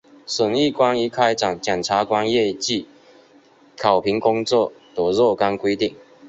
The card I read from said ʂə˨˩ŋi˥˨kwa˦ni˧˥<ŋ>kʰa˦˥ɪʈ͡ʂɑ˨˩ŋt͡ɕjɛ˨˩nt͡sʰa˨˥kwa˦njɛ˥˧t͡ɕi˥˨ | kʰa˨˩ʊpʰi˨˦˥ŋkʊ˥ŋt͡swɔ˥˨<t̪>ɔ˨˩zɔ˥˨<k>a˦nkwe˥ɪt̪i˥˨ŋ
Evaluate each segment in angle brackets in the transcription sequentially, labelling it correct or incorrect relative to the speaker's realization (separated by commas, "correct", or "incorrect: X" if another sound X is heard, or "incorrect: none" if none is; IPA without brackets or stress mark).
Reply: incorrect: none, correct, correct